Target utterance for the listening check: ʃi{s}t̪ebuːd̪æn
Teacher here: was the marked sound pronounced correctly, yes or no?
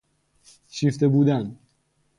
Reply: no